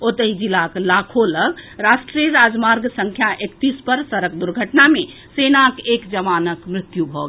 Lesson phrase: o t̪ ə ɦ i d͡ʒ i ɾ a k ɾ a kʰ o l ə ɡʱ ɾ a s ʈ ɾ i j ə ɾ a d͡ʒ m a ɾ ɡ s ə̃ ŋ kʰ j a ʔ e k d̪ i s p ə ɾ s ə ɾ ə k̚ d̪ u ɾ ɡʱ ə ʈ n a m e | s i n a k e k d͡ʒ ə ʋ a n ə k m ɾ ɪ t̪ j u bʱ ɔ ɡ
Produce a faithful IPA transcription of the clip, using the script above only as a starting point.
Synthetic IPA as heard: o t̪ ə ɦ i d͡ʒ i l a k l a kʰ o l ə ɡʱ ɾ a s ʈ ɾ i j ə ɾ a d͡ʒ m a ɾ ɡ s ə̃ ŋ kʰ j a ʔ e k t̪ i s p ə ɾ s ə ɾ ə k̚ d̪ u ɾ ɡʱ ə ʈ n a m e | s e n a k e k d͡ʒ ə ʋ a n ə k m ɾ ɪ t̪ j u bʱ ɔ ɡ